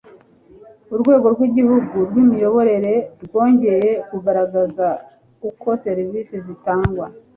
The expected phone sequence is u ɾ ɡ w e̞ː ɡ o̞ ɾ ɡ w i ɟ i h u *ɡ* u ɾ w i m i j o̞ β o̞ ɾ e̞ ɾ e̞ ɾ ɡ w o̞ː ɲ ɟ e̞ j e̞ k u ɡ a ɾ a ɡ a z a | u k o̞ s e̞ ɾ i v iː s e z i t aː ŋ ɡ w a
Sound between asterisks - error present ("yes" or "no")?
no